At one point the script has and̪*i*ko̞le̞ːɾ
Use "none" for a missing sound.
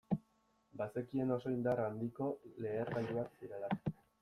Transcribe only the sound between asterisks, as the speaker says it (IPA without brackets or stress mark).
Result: i